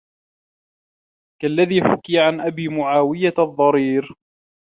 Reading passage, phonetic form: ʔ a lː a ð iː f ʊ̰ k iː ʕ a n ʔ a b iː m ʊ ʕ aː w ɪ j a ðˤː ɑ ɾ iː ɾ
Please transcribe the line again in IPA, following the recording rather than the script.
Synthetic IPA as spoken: k a lː a ð iː ħ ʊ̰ k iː ʕ a n ʔ a b iː m ʊ ʕ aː w ɪ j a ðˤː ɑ ɾ iː ɾ